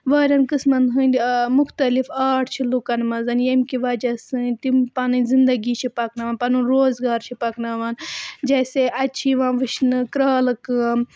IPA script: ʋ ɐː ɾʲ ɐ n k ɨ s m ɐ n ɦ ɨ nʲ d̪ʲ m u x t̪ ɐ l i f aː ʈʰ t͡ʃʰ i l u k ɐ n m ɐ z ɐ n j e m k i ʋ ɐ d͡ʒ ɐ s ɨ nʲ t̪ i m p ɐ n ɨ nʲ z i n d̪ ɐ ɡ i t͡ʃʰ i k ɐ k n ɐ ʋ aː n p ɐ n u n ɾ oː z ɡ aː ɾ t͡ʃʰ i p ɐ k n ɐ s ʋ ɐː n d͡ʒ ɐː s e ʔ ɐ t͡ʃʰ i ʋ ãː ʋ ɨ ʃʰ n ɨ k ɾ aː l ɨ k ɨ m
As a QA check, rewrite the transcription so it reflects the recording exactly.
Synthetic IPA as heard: ʋ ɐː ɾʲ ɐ n k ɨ s m ɐ n ɦ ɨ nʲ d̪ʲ m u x t̪ ɐ l i f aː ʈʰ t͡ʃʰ i l u k ɐ n m ɐ z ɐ n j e m k i ʋ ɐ d͡ʒ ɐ s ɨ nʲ t̪ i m p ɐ n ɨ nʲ z i n d̪ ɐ ɡ i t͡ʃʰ i p ɐ k n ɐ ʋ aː n p ɐ n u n ɾ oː z ɡ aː ɾ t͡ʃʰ i p ɐ k n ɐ ʋ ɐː n d͡ʒ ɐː s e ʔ ɐ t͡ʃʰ i ʋ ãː ʋ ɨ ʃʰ n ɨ k ɾ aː l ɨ k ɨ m